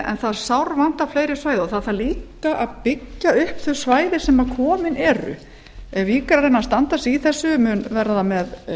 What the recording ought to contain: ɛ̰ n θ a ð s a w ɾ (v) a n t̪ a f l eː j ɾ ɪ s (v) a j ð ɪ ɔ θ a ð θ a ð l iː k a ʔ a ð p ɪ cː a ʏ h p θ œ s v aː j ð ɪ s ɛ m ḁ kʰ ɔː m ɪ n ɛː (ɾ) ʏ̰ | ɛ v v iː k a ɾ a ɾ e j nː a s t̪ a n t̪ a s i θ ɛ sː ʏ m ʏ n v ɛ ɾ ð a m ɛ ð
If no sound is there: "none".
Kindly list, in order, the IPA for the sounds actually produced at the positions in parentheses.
v, v, ɾ

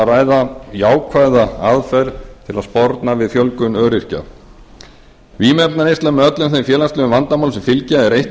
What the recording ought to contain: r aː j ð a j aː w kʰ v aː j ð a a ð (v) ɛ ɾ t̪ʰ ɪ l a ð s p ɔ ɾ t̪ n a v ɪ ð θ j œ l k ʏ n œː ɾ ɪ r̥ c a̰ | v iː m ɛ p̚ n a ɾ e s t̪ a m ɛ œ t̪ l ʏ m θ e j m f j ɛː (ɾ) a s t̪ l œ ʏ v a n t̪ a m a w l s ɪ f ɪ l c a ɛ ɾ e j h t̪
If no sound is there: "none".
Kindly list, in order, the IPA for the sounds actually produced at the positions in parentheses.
f, l

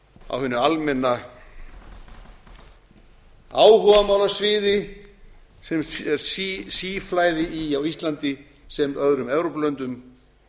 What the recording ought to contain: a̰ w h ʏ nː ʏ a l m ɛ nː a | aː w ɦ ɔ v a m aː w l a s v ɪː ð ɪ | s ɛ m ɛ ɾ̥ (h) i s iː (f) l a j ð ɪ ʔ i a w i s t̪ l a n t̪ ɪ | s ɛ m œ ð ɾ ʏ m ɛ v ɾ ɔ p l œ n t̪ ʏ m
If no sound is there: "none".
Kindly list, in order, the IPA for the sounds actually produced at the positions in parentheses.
s, f

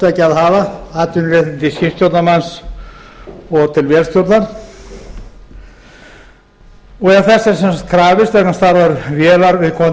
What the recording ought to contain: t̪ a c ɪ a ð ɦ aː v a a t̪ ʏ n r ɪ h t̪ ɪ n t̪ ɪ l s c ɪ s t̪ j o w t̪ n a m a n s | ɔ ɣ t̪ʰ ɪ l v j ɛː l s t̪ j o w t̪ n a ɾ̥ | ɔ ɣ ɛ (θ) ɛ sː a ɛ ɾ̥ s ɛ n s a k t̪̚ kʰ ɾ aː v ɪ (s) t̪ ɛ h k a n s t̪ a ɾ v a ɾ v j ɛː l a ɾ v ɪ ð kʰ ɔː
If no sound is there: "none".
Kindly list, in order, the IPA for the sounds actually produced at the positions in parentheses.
θ, s

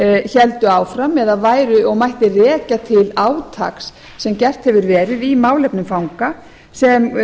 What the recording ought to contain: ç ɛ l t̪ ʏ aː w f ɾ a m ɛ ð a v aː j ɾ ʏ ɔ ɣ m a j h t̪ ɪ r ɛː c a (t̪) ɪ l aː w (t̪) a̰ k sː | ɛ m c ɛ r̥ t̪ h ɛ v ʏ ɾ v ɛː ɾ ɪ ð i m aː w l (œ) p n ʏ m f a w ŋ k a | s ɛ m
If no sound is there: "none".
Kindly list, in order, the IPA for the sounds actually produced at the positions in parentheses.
t̪ʰ, t̪ʰ, ɛ

